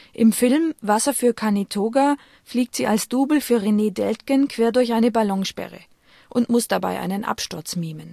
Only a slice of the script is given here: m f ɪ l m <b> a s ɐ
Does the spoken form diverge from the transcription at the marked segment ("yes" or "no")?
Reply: yes